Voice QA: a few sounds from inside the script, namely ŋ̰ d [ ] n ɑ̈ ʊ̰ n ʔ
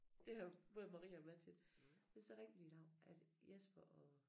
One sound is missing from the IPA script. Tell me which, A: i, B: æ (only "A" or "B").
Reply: A